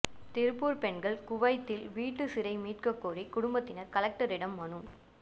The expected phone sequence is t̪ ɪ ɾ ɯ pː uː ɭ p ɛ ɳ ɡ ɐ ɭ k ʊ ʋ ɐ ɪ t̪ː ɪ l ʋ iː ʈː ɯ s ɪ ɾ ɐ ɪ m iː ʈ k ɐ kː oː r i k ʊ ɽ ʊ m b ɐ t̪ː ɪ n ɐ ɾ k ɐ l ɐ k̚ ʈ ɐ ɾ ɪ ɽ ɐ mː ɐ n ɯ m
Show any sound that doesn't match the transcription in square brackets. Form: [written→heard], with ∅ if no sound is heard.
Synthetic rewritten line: t̪ ɪ ɾ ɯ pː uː [ɭ→ɾ] p ɛ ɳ ɡ ɐ ɭ k ʊ ʋ ɐ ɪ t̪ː ɪ l ʋ iː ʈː ɯ s ɪ ɾ ɐ ɪ m iː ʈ k ɐ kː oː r i k ʊ ɽ ʊ m b ɐ t̪ː ɪ n ɐ ɾ k ɐ l ɐ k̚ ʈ ɐ ɾ ɪ ɽ ɐ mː ɐ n ɯ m